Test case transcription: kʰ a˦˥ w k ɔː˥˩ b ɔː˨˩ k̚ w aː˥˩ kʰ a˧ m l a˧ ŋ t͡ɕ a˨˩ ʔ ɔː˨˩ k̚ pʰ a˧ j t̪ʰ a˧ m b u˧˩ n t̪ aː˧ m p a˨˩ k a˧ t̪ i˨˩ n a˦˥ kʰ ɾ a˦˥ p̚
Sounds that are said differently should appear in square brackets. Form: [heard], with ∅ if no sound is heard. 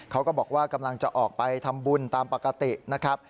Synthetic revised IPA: kʰ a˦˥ w k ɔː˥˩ b ɔː˨˩ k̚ w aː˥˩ [k] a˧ m l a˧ ŋ t͡ɕ a˨˩ ʔ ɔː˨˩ k̚ [p] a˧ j t̪ʰ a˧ m b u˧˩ n t̪ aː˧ m p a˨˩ k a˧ t̪ i˨˩ n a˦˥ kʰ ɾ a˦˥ p̚

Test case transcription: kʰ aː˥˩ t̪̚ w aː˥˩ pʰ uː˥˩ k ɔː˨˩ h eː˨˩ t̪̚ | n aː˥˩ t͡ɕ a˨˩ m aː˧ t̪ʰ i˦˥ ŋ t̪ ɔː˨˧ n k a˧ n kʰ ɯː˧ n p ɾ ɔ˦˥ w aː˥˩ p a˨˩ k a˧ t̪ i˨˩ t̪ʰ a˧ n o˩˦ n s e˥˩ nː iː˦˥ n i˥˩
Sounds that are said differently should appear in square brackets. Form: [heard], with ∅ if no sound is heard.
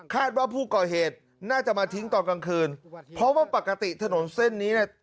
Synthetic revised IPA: kʰ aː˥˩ t̪̚ w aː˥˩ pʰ uː˥˩ k ɔː˨˩ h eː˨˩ t̪̚ | n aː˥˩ t͡ɕ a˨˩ m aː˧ t̪ʰ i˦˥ ŋ t̪ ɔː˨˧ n k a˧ [ŋ] kʰ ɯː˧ n [pʰ] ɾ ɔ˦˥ w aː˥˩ p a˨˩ k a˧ t̪ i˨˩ t̪ʰ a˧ n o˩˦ n s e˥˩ nː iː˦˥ n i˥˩

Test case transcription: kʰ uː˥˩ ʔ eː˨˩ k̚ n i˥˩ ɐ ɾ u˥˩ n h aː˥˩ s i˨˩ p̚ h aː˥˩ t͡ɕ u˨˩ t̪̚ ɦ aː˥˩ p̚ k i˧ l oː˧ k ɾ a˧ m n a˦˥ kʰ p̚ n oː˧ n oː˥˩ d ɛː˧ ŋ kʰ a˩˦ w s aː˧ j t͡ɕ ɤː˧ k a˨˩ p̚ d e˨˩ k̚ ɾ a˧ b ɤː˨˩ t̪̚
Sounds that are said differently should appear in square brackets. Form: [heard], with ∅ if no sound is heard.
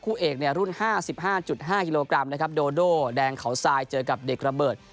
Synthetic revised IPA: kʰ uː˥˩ ʔ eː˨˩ k̚ n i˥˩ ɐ ɾ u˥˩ n h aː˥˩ s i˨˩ p̚ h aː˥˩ t͡ɕ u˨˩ t̪̚ ɦ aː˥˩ [∅] k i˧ l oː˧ k ɾ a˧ m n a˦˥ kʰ p̚ [d] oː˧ [d] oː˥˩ d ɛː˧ ŋ kʰ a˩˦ w s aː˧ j t͡ɕ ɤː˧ k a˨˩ p̚ d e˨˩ k̚ ɾ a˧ b ɤː˨˩ t̪̚

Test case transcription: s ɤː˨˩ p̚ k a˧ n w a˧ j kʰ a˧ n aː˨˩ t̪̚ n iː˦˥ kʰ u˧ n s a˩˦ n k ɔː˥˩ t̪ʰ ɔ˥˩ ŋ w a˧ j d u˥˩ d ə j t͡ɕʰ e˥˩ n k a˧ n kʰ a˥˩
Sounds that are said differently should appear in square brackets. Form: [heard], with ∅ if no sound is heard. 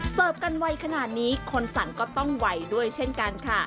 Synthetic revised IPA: s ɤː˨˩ p̚ k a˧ n w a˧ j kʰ a˧ n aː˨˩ t̪̚ n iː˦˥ kʰ [o˧] n s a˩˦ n k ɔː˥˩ [t̪] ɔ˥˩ ŋ w a˧ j d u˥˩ [∅] ə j t͡ɕʰ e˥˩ n k a˧ n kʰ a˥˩

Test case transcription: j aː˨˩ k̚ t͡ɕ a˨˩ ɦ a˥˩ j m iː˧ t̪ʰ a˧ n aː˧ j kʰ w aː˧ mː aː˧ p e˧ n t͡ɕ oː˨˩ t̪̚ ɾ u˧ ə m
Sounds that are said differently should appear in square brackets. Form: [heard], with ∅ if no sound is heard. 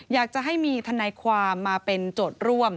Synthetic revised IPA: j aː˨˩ k̚ t͡ɕ a˨˩ ɦ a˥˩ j m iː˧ t̪ʰ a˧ n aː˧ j kʰ w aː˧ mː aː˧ p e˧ n t͡ɕ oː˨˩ t̪̚ ɾ [u˥˩] ə m

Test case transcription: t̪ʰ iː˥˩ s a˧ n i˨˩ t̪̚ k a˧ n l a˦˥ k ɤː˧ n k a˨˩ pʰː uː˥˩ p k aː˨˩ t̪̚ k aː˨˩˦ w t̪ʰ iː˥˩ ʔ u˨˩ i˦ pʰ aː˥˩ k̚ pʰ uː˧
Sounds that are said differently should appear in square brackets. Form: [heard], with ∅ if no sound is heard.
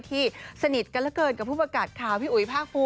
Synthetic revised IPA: t̪ʰ iː˥˩ s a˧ n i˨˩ t̪̚ k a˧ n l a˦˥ k ɤː˧ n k a˨˩ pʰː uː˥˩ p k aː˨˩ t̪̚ [kʰ] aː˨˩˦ w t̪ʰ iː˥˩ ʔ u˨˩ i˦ pʰ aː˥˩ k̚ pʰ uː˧

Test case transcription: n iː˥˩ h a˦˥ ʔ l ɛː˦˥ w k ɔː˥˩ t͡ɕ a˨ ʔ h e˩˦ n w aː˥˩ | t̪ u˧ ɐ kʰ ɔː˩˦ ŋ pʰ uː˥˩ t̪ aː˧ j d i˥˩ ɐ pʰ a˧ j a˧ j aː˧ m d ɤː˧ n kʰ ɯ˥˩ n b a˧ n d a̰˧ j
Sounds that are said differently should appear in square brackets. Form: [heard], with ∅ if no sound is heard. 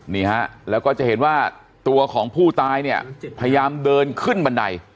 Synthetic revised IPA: n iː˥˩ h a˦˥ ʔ l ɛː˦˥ w k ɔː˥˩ t͡ɕ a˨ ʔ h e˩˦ n w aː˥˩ | t̪ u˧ ɐ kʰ ɔː˩˦ ŋ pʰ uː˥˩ t̪ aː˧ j [n] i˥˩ ɐ pʰ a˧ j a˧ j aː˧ m d ɤː˧ n kʰ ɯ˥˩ n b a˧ n d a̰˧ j

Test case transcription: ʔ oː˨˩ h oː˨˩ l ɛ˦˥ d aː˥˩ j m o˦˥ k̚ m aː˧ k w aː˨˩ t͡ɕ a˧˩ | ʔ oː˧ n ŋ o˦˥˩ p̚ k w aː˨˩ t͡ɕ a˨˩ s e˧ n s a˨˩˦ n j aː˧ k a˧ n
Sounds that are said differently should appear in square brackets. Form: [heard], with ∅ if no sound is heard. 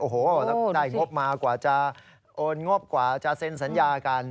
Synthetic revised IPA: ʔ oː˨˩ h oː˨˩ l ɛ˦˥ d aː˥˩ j [ŋ] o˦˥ [p̚] m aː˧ k w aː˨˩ t͡ɕ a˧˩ | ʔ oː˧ n ŋ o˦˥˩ p̚ k w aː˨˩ t͡ɕ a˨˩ s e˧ n s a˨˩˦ n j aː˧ k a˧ n

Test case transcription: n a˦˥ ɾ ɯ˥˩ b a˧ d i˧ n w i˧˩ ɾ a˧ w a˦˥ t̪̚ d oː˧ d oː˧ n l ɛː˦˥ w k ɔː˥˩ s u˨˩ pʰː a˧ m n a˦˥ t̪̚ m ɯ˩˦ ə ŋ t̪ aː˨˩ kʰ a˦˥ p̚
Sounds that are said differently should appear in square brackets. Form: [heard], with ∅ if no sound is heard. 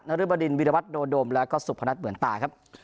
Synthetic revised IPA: n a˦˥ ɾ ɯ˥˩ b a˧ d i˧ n w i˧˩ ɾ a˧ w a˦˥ t̪̚ d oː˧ d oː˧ [m] l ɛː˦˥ w k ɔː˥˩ s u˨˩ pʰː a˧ [∅] n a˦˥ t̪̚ m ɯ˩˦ ə [n] t̪ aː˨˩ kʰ a˦˥ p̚

